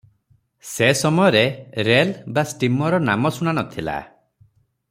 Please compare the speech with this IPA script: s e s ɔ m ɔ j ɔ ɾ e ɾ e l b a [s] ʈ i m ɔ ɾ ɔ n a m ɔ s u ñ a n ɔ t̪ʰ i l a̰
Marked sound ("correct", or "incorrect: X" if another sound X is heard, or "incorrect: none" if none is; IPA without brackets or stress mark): correct